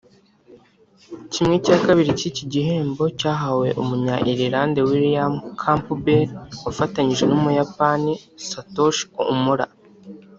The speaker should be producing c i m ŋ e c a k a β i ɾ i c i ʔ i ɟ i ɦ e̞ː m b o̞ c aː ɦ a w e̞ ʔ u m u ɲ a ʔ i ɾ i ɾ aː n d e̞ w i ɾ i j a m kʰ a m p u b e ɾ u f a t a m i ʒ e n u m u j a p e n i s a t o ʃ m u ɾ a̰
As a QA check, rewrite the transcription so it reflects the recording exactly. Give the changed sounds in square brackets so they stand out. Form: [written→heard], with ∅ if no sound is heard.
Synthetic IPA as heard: c i m ŋ e c a k a β i ɾ i c i [ʔ→c] i ɟ i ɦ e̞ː m b o̞ c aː ɦ a w e̞ ʔ u m u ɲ a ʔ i ɾ i ɾ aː n d e̞ w i ɾ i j a m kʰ a m p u b e ɾ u f a t a [m→ɲ] i ʒ e n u m u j a p [e→a] n i s a t o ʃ m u ɾ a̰